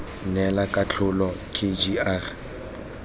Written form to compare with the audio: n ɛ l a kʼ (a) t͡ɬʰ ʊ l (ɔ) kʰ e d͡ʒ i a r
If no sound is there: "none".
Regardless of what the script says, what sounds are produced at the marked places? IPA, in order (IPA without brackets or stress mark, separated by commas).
a, ɔ